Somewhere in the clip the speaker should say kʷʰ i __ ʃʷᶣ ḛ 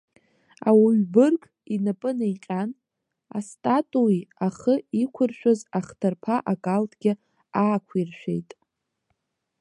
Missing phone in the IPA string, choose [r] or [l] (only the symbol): r